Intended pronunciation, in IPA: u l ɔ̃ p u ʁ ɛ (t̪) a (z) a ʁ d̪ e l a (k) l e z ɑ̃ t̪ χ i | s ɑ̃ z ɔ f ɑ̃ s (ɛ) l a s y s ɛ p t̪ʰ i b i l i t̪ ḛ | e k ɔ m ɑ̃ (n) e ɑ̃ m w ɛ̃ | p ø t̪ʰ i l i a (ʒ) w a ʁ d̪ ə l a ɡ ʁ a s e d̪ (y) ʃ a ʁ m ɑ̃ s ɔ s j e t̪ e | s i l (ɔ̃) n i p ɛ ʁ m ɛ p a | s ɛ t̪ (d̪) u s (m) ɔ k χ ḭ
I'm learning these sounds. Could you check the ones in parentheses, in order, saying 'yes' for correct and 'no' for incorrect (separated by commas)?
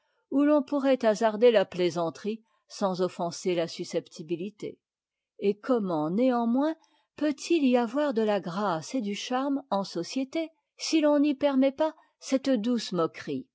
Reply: yes, yes, no, no, yes, no, yes, yes, yes, yes